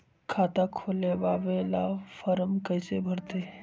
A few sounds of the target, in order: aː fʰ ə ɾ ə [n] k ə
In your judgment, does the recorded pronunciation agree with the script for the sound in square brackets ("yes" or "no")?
no